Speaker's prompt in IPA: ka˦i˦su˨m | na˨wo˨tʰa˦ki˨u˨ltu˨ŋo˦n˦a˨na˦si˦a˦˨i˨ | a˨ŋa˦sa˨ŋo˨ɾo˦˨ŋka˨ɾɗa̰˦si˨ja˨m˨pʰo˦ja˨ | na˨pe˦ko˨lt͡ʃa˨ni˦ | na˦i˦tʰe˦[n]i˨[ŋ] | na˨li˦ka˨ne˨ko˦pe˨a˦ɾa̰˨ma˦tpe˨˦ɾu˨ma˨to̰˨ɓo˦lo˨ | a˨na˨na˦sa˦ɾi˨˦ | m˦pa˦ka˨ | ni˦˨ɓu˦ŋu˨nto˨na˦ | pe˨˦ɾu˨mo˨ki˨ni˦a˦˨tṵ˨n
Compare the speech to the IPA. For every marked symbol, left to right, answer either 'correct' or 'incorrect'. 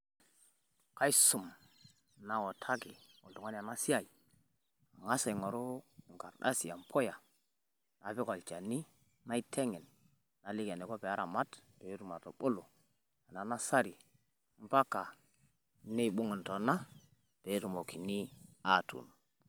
incorrect, incorrect

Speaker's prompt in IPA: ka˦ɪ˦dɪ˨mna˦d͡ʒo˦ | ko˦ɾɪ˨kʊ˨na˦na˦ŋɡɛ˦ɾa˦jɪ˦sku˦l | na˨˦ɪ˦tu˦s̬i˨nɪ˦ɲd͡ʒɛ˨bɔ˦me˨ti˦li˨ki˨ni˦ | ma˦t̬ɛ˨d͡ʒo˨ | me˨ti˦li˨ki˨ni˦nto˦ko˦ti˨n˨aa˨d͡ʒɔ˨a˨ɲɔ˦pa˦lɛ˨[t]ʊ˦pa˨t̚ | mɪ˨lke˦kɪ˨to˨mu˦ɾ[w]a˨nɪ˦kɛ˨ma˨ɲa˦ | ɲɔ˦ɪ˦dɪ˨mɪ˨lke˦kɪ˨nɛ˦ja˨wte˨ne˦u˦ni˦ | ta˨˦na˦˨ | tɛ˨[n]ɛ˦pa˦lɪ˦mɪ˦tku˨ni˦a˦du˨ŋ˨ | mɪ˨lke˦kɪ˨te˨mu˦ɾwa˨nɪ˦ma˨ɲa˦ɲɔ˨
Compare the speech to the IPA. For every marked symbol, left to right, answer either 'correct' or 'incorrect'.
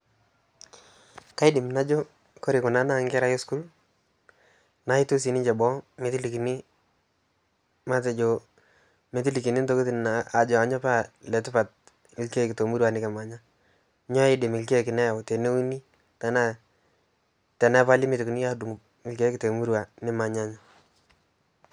correct, correct, correct

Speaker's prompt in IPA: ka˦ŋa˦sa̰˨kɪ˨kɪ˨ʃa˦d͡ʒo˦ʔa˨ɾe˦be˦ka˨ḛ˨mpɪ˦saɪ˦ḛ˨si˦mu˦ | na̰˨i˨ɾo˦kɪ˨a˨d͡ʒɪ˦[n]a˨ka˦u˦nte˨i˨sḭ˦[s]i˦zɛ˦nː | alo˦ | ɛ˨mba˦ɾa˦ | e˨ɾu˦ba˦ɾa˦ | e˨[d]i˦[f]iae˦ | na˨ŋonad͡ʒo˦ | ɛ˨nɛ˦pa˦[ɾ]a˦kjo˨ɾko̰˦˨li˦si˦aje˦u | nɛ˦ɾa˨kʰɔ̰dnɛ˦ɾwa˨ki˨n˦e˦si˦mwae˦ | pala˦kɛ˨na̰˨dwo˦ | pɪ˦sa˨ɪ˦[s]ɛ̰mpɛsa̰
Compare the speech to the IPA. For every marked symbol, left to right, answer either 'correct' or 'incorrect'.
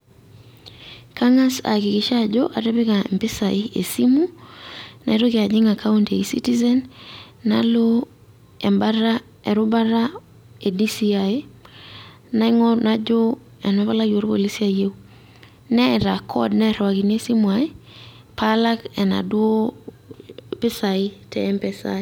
incorrect, incorrect, correct, incorrect, incorrect, incorrect

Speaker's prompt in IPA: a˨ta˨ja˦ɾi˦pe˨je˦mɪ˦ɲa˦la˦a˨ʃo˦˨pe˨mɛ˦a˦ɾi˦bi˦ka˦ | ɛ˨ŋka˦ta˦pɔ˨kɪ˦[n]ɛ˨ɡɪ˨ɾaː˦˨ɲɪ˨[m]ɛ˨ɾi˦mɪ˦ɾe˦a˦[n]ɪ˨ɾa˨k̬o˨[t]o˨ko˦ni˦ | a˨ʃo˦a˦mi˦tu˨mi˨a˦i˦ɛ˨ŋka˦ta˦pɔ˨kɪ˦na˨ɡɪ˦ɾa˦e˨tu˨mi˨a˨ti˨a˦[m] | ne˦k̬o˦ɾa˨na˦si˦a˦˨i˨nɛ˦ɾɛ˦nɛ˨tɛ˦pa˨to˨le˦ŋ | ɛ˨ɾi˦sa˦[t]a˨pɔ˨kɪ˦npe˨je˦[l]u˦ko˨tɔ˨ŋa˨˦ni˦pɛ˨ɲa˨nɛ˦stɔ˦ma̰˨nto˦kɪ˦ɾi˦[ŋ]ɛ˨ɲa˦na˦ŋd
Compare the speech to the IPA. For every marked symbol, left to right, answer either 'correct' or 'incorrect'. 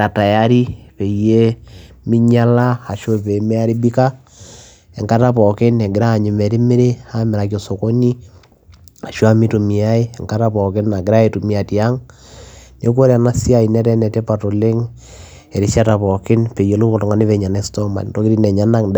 correct, correct, incorrect, incorrect, incorrect, correct, correct, incorrect

